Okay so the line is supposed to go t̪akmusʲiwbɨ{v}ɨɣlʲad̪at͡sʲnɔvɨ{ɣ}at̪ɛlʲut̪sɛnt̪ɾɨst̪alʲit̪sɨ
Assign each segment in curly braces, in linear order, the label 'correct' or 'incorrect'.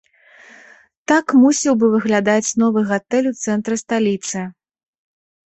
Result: correct, correct

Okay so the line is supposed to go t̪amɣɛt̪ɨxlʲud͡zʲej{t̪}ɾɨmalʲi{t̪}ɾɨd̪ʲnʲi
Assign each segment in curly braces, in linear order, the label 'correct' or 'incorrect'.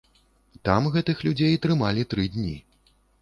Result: correct, correct

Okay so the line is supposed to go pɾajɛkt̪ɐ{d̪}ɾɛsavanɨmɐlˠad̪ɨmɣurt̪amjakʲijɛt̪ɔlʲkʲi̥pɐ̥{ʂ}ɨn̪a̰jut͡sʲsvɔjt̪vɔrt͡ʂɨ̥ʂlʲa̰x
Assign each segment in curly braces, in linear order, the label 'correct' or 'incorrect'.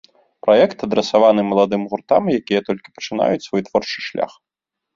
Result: correct, incorrect: t͡ʂ

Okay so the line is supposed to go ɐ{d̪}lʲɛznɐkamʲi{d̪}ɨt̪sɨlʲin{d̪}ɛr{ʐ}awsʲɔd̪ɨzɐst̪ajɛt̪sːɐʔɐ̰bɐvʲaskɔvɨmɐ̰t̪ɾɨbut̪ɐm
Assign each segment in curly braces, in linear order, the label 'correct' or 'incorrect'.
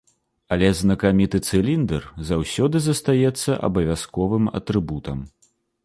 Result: incorrect: none, incorrect: t̪, correct, incorrect: z

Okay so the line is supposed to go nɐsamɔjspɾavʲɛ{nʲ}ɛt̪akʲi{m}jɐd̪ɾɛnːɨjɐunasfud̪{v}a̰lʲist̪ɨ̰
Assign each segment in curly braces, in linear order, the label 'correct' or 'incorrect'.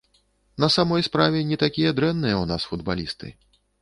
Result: correct, incorrect: none, incorrect: b

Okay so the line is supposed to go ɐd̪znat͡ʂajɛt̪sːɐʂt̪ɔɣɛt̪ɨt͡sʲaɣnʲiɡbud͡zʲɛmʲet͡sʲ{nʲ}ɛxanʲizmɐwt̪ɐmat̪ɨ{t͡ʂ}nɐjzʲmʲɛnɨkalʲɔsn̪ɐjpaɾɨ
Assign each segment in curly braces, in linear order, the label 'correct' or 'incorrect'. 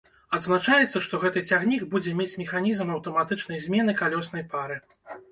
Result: incorrect: mʲ, correct

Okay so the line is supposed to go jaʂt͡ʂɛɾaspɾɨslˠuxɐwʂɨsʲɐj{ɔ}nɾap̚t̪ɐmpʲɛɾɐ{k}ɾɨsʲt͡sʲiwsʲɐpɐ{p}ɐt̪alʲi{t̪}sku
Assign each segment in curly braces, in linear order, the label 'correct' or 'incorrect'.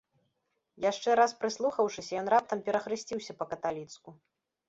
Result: correct, incorrect: x, incorrect: k, correct

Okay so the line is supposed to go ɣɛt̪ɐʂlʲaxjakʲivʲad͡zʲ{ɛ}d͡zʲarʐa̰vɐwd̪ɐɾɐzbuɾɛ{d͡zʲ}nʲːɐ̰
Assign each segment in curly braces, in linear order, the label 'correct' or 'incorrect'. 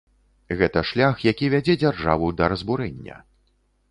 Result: correct, incorrect: none

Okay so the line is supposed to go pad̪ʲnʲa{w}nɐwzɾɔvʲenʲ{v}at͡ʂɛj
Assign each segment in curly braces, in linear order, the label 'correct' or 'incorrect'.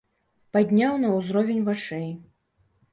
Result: correct, correct

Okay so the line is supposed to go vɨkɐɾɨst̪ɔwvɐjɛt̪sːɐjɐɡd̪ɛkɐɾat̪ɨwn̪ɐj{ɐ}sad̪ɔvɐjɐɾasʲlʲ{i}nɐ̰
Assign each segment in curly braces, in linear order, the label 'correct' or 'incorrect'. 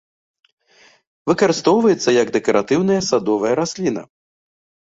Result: correct, correct

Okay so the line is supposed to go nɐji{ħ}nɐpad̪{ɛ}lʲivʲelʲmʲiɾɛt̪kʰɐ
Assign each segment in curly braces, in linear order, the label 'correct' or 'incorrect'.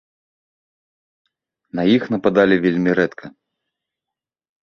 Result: incorrect: x, incorrect: a

